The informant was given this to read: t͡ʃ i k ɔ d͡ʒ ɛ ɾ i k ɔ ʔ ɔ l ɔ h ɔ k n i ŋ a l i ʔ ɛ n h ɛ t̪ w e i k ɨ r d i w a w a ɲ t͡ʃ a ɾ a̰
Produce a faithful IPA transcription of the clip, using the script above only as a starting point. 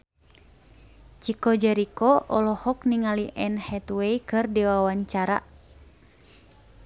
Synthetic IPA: t͡ʃ i k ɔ d͡ʒ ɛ ɾ i k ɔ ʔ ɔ l ɔ h ɔ k n i ŋ a l i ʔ ɛ n h ɛ t̪ w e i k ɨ r d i w a w a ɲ t͡ʃ a ɾ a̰